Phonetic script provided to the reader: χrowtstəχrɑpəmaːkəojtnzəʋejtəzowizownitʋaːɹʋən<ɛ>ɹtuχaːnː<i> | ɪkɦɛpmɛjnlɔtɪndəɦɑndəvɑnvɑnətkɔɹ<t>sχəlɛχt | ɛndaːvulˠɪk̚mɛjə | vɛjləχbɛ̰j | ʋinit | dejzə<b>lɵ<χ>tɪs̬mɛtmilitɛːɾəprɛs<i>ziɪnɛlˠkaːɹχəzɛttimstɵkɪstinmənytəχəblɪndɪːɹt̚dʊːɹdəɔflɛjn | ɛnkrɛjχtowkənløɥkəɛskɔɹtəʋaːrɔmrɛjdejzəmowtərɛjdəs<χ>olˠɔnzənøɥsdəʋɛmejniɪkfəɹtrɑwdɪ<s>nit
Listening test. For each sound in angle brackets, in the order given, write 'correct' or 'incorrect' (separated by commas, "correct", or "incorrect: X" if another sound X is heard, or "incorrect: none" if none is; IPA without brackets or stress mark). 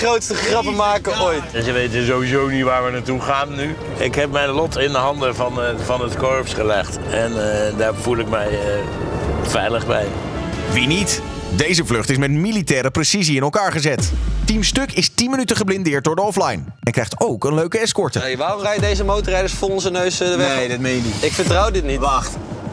incorrect: a, incorrect: y, incorrect: p, incorrect: v, correct, correct, incorrect: f, incorrect: t